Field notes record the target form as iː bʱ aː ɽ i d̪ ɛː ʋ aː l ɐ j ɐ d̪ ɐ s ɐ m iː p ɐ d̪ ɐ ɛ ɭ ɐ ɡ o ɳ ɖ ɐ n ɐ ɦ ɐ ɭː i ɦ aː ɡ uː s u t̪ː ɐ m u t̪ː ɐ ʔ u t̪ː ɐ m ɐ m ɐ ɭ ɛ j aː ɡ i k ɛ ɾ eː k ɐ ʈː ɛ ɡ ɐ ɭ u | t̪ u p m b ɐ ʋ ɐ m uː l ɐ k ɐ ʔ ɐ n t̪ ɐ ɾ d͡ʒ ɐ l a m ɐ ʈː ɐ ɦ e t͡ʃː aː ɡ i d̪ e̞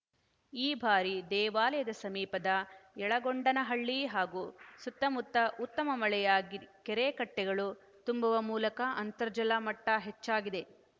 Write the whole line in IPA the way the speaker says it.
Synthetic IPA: iː bʱ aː ɾ i d̪ ɛː ʋ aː l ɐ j ɐ d̪ ɐ s ɐ m iː p ɐ d̪ ɐ ɛ ɭ ɐ ɡ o ɳ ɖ ɐ n ɐ ɦ ɐ ɭː i ɦ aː ɡ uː s u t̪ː ɐ m u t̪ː ɐ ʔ u t̪ː ɐ m ɐ m ɐ ɭ ɛ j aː ɡ i k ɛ ɾ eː k ɐ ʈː ɛ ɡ ɐ ɭ u | t̪ u m b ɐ ʋ ɐ m uː l ɐ k ɐ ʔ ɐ n t̪ ɐ ɾ d͡ʒ ɐ l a m ɐ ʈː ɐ ɦ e t͡ʃː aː ɡ i d̪ e̞